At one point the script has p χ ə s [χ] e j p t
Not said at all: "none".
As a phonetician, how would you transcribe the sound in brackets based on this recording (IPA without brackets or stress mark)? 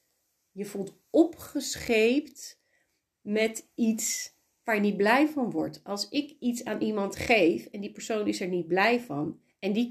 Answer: χ